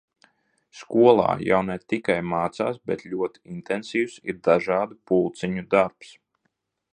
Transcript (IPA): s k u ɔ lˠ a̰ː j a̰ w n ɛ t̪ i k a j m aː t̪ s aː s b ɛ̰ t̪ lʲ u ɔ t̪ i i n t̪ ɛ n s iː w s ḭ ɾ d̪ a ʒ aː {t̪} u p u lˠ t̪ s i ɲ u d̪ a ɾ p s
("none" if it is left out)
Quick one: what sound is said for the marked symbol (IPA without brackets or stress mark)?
d̪